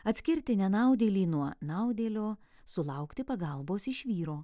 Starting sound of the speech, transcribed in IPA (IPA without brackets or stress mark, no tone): ɐ